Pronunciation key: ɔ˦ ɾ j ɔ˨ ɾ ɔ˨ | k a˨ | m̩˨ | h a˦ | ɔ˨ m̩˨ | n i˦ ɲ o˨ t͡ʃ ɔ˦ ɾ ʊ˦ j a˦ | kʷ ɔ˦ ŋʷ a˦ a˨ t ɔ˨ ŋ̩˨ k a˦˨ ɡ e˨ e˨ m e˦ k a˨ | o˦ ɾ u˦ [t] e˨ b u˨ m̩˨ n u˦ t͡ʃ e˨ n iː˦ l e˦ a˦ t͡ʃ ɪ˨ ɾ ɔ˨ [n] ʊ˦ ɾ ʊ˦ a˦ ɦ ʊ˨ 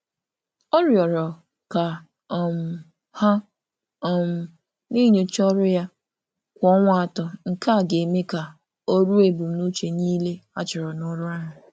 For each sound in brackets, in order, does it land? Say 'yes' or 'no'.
no, yes

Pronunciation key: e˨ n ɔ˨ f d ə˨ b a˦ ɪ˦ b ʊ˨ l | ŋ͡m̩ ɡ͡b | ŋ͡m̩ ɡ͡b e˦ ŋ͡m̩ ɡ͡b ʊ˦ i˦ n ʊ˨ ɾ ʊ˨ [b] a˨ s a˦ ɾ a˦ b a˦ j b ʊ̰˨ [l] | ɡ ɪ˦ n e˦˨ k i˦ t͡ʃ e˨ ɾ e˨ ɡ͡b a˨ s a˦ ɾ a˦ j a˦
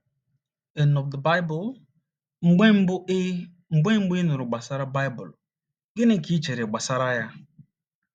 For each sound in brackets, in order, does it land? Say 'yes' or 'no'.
no, yes

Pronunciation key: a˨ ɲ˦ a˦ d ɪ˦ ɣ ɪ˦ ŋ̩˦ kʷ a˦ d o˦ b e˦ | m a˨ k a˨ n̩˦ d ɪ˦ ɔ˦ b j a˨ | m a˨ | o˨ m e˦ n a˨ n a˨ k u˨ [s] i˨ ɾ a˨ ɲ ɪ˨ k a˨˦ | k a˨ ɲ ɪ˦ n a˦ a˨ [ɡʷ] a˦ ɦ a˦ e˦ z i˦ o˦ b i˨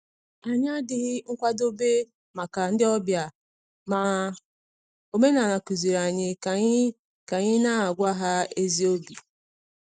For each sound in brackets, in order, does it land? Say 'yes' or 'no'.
no, yes

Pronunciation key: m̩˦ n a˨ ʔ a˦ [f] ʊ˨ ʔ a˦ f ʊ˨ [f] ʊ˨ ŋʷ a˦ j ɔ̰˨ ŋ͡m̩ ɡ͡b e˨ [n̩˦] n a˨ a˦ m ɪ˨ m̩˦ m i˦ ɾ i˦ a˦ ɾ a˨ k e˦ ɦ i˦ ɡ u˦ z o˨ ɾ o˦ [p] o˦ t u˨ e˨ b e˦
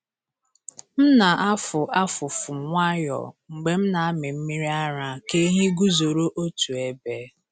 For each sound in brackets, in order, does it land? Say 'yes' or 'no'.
yes, yes, no, no

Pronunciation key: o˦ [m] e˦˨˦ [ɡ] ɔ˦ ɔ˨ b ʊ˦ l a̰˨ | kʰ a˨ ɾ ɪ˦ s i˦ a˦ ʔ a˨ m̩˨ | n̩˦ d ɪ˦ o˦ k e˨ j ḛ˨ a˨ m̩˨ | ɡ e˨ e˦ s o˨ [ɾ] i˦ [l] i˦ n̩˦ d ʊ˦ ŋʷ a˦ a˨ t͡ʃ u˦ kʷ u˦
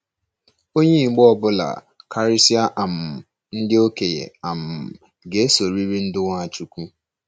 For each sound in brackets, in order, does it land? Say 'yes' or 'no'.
no, no, yes, no

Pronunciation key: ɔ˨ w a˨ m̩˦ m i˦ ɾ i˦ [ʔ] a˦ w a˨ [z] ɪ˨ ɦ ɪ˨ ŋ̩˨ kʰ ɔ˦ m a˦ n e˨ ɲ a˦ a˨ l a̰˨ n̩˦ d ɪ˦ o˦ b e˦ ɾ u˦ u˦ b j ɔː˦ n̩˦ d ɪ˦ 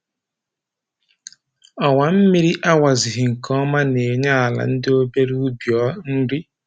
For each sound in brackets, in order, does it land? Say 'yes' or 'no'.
yes, yes

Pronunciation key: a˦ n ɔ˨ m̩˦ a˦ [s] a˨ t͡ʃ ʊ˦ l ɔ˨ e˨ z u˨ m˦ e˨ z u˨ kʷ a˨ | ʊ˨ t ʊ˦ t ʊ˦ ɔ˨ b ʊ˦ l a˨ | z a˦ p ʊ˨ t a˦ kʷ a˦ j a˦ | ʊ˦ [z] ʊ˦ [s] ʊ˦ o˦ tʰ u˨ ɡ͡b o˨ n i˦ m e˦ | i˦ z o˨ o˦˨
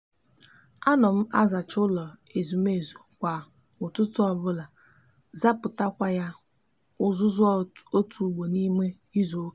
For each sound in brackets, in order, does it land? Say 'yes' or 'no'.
no, yes, no

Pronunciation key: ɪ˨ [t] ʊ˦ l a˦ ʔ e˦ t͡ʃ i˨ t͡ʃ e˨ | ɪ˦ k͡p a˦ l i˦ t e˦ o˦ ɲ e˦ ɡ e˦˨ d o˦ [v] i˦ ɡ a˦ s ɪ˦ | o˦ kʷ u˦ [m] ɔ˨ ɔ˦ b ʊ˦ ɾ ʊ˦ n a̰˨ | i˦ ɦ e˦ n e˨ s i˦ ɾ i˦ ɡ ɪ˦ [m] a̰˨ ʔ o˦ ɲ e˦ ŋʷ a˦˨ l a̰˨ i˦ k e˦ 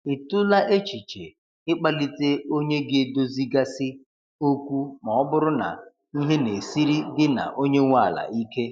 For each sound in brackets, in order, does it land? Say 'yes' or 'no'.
yes, no, yes, no

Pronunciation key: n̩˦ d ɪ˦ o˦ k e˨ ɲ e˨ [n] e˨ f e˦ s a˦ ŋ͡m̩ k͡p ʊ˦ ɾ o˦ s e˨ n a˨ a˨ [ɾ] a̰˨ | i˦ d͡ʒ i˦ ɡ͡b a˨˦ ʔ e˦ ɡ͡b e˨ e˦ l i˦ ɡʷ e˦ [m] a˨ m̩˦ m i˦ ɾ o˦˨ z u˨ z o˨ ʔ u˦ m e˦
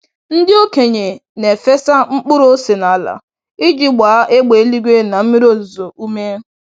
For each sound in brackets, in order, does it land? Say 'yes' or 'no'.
yes, no, no

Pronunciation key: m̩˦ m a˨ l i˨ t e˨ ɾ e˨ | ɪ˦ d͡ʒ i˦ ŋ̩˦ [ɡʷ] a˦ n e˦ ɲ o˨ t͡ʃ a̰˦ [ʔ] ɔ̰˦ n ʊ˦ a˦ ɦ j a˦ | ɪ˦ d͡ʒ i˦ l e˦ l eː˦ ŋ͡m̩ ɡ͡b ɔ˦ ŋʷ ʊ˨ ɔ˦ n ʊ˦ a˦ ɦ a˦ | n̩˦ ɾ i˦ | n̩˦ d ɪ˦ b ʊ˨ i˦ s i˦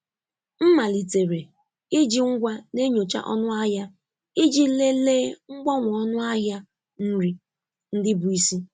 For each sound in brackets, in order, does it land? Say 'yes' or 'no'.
yes, yes

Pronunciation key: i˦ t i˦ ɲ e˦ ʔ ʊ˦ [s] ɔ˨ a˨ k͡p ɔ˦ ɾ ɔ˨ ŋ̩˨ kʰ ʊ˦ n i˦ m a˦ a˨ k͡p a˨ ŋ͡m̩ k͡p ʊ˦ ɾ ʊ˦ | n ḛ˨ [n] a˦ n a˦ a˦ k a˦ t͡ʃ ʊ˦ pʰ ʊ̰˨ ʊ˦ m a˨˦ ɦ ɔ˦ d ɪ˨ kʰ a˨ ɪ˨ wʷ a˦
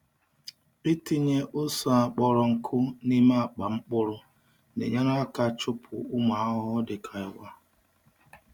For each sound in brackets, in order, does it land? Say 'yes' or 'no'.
yes, no

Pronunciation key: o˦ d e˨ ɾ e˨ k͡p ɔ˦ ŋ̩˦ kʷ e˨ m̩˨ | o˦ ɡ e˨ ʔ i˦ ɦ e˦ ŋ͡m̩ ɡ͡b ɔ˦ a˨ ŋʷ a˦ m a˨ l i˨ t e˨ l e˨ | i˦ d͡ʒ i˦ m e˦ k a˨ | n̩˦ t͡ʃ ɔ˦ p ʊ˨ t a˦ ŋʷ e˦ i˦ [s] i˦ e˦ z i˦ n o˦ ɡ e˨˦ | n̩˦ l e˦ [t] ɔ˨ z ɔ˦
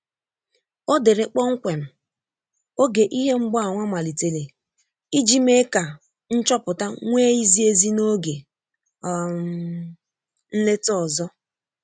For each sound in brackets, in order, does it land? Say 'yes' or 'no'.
no, yes

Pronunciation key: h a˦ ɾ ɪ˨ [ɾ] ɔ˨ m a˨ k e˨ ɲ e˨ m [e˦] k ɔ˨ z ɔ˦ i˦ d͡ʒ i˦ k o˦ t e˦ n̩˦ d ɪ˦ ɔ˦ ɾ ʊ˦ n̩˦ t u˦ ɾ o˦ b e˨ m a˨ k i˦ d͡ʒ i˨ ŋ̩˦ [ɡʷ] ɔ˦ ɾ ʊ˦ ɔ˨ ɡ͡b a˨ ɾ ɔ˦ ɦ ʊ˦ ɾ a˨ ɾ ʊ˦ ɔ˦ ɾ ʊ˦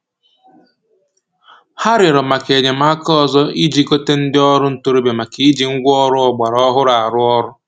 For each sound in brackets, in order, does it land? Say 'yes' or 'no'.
yes, no, yes

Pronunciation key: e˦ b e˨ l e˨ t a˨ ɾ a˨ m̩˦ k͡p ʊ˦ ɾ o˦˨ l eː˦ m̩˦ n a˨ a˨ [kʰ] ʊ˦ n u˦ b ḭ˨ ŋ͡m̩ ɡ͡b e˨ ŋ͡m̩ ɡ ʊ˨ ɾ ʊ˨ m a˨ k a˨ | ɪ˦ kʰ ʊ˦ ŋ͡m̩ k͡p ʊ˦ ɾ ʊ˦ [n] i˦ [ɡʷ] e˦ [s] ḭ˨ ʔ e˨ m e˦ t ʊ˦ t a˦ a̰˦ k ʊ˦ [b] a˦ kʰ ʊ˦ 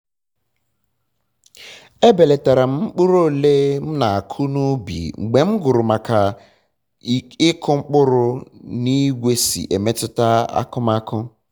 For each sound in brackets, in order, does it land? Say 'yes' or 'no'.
yes, yes, yes, yes, no

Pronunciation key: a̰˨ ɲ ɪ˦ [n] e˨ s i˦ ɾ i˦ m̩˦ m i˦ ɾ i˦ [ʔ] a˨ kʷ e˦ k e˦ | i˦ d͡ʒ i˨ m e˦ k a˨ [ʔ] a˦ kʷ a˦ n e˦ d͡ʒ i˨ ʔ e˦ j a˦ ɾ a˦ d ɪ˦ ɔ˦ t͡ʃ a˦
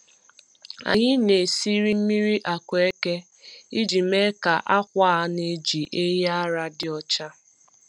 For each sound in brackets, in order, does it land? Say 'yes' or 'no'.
yes, yes, yes

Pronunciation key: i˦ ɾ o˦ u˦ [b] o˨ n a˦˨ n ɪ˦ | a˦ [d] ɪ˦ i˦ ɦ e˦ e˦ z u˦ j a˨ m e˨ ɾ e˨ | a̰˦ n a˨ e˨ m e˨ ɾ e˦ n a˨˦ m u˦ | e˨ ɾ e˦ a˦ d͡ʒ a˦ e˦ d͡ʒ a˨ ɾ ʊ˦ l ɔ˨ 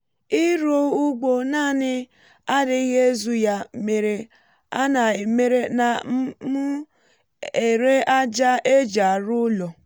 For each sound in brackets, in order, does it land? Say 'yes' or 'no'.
no, yes

